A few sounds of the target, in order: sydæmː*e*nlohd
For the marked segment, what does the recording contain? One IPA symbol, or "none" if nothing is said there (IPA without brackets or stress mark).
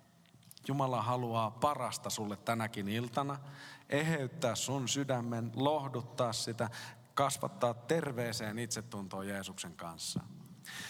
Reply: e